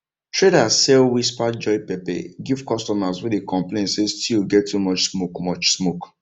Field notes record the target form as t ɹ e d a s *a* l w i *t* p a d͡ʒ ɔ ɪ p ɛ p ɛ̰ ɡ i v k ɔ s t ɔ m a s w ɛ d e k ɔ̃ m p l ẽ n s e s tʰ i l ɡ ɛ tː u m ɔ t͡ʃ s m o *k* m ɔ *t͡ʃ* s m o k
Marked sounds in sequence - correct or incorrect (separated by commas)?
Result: incorrect, incorrect, correct, correct